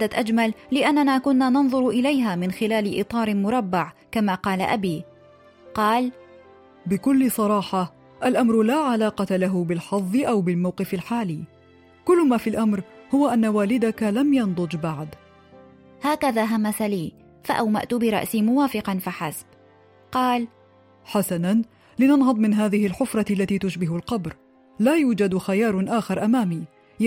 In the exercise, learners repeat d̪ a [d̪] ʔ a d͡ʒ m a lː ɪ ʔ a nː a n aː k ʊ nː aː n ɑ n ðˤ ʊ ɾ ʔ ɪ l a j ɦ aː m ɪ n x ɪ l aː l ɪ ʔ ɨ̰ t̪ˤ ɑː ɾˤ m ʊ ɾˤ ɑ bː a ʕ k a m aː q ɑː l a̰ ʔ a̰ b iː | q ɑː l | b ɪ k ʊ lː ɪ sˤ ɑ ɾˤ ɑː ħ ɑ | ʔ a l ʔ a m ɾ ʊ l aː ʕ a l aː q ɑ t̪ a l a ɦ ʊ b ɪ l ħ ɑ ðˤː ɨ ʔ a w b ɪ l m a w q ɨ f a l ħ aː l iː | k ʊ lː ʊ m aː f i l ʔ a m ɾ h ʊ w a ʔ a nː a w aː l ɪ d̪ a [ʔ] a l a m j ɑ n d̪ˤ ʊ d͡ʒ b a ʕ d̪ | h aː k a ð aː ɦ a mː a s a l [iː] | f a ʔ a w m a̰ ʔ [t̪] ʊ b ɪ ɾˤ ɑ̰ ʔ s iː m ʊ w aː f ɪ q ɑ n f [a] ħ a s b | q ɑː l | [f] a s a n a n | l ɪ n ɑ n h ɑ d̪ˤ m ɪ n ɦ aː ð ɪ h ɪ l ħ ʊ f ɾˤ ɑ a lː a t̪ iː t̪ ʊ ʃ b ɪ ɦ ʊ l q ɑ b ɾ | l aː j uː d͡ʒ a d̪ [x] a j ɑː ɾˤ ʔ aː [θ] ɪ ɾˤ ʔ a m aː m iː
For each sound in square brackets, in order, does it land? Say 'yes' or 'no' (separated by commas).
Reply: no, no, yes, yes, yes, no, yes, no